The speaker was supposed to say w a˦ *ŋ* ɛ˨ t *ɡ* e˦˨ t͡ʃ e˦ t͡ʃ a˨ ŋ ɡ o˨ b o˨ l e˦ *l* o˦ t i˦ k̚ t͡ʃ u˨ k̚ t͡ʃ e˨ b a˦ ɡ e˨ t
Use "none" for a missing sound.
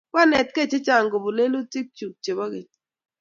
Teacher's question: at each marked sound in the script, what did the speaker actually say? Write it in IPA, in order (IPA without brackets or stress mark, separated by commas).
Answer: n, k, l